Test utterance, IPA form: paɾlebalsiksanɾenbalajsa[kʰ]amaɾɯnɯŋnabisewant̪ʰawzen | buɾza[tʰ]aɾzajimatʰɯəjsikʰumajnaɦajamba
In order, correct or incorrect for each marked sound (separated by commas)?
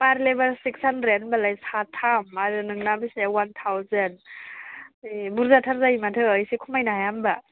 incorrect, correct